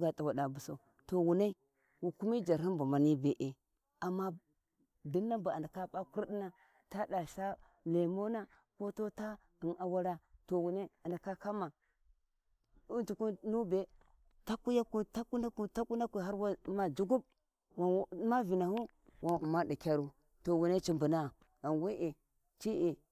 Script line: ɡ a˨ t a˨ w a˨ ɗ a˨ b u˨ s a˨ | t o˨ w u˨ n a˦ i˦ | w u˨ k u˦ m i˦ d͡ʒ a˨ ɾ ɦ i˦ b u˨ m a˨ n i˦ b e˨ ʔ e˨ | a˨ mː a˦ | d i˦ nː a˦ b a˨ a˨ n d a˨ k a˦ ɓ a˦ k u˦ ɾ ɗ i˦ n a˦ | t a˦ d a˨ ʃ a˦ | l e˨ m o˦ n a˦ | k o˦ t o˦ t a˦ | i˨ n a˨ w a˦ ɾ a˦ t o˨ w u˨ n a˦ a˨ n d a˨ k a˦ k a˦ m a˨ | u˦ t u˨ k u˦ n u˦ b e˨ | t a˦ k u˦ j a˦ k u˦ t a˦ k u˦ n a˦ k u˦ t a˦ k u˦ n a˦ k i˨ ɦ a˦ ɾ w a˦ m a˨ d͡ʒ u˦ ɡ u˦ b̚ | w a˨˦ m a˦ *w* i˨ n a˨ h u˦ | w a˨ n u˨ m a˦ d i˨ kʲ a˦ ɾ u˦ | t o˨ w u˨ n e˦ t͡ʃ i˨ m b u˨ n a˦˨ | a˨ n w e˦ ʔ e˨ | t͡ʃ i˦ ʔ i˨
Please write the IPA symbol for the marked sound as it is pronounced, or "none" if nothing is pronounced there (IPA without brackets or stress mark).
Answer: v